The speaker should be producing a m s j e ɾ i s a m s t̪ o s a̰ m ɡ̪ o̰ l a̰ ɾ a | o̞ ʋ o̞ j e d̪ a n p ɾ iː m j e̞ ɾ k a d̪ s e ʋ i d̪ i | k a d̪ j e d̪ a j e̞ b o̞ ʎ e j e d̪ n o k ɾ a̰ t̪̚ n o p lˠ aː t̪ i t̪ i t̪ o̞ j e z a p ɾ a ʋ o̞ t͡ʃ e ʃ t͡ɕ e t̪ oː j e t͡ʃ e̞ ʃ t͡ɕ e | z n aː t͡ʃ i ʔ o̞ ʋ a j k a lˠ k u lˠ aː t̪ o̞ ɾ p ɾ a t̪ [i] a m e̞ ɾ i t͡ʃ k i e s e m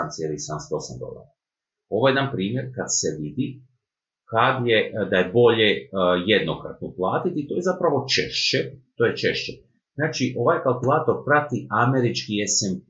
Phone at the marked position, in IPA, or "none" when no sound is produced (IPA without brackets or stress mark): i